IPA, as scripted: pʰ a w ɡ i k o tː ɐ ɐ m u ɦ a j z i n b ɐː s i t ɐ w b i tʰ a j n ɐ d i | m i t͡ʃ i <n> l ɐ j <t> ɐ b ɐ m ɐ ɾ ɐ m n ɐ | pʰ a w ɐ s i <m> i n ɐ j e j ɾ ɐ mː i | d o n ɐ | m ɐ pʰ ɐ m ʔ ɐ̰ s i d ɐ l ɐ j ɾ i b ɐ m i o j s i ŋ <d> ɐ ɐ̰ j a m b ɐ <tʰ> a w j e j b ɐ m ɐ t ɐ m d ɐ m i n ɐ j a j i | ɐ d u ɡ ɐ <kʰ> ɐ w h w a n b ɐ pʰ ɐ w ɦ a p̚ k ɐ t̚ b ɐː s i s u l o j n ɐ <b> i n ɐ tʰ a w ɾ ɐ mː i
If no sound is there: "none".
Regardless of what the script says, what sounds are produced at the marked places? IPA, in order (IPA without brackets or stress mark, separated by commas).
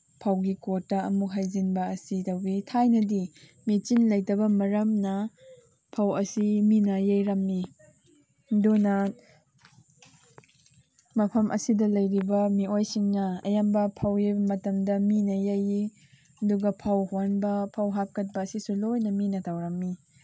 n, t, m, n, pʰ, pʰ, m